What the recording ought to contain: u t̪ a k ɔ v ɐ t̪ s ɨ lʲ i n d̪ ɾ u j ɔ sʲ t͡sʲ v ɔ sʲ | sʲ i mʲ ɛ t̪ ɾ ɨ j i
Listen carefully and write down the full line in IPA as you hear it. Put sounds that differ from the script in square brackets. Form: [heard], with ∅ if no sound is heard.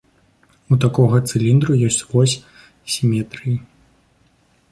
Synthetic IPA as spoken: u t̪ a k ɔ [ɣ] ɐ t̪ s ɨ lʲ i n d̪ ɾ u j ɔ sʲ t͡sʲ v ɔ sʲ | sʲ i mʲ ɛ t̪ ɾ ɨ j i